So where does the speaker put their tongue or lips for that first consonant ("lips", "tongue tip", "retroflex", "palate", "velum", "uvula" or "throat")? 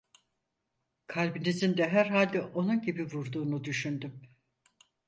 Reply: velum